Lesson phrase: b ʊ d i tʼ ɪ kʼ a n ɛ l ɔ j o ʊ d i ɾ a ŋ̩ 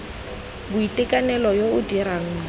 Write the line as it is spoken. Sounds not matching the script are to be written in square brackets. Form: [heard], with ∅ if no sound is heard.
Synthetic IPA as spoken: b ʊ [∅] i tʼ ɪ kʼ a n ɛ l ɔ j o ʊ d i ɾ a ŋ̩